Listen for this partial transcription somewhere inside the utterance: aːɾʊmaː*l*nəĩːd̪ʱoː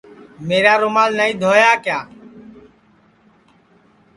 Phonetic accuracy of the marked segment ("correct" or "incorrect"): correct